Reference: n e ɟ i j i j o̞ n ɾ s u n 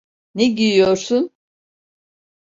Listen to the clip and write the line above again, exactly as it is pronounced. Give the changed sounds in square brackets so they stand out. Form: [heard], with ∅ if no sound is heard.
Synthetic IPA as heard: n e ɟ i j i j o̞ [∅] ɾ s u n